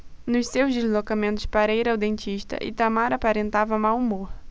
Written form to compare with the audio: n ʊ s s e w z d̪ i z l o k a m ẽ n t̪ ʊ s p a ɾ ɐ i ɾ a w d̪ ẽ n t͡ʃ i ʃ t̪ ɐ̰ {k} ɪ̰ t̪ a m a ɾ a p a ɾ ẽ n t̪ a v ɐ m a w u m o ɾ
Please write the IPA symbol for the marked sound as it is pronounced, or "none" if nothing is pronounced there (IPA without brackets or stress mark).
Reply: ʔ